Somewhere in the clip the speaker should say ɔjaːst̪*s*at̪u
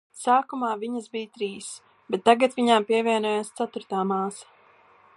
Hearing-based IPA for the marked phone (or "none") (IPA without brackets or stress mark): s